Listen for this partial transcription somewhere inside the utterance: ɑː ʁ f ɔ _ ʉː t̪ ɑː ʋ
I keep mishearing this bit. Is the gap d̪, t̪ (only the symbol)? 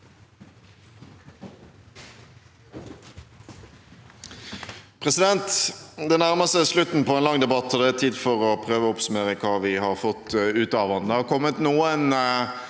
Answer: t̪